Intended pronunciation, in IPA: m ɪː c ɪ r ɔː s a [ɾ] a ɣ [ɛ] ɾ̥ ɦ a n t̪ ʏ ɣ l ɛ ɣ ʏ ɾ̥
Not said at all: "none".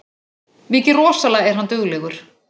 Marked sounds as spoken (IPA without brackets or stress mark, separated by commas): l, ɛ